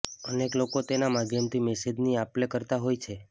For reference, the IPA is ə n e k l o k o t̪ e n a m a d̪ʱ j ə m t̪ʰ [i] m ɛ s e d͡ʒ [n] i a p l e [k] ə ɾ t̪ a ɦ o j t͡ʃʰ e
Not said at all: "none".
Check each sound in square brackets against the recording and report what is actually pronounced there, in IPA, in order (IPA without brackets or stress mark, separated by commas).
i, n, k